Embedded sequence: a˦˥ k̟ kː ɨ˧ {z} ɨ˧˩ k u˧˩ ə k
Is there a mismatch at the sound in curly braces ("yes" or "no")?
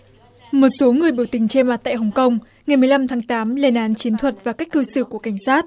yes